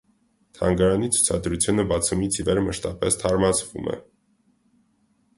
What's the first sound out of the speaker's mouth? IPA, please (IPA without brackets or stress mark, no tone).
t̪ʰ